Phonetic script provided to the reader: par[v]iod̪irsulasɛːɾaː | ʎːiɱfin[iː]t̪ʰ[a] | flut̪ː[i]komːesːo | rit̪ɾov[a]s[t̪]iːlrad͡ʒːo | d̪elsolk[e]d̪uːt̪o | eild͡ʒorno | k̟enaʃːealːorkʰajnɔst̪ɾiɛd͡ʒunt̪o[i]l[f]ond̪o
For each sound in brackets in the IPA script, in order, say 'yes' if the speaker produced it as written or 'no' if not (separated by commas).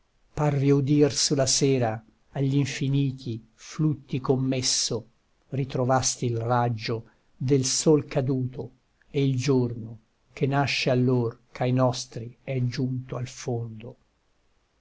yes, yes, no, yes, yes, yes, no, no, yes